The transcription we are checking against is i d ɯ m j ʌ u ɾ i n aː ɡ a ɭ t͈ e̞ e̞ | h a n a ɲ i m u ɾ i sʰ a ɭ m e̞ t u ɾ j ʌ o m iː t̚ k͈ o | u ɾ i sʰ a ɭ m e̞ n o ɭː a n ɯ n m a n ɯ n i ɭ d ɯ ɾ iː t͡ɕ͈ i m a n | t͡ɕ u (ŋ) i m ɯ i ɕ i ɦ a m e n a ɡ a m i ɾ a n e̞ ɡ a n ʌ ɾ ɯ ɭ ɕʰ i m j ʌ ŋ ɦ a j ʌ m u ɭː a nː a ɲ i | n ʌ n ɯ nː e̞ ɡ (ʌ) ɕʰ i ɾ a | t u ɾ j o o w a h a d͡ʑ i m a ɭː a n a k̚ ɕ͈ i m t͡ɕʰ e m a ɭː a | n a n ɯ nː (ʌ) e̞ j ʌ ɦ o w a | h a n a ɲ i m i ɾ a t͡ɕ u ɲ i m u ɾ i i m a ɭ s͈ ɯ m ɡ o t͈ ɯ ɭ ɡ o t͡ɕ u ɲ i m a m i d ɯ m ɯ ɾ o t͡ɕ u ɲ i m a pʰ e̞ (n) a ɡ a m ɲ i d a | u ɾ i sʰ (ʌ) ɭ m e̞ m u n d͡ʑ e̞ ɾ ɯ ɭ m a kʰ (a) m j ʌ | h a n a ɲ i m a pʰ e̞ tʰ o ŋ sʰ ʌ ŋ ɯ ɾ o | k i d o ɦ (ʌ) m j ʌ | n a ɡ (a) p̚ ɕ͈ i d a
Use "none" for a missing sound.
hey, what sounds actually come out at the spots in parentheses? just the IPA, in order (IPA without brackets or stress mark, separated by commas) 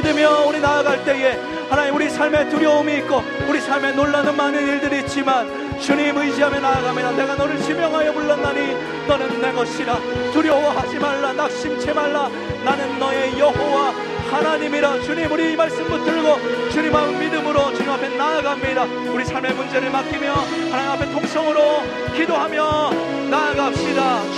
ɲ, ʌ, ʌ, n, a, i, a, a